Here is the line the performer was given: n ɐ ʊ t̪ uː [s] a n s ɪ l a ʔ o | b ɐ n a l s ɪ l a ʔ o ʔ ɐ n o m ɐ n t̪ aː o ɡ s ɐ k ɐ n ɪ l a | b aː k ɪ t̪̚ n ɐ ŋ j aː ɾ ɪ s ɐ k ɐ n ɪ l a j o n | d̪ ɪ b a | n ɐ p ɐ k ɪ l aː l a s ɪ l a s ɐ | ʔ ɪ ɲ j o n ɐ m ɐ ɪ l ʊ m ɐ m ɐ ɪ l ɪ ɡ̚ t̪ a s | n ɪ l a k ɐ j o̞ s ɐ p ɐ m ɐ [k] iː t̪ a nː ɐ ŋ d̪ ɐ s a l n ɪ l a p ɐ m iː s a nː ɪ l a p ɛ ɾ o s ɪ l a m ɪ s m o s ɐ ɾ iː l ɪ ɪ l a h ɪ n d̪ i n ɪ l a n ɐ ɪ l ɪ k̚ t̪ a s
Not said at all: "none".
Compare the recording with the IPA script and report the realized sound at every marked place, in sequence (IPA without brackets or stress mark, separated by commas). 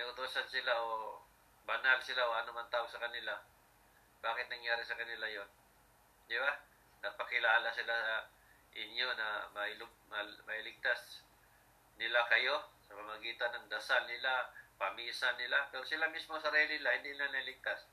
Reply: s, ɡ